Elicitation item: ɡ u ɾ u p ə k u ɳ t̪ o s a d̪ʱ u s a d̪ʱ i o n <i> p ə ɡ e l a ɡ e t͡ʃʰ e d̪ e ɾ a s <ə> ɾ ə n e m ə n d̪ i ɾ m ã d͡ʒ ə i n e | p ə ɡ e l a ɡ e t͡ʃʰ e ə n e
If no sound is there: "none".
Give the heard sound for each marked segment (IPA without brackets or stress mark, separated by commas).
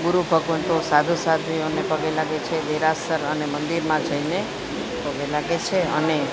e, ə